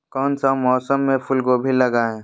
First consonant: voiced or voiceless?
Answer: voiceless